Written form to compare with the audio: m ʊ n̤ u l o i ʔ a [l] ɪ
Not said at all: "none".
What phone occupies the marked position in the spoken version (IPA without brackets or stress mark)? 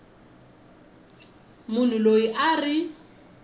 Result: r